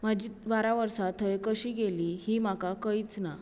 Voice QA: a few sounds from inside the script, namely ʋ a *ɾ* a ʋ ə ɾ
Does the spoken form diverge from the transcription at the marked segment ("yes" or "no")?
no